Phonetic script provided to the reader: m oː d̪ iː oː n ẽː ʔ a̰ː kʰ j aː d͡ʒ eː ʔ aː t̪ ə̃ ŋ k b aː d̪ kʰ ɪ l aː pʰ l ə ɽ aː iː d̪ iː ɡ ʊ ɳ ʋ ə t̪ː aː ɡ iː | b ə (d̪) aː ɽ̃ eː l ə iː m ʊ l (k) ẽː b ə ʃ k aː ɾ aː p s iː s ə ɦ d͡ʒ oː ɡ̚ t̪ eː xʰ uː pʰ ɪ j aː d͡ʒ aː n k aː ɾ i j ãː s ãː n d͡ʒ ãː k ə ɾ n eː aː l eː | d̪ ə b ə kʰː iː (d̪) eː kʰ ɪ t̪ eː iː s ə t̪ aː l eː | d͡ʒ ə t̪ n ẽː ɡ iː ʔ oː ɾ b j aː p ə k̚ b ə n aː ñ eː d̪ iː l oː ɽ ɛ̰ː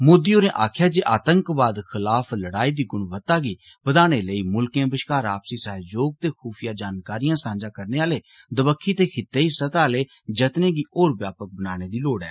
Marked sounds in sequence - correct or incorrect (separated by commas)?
correct, correct, incorrect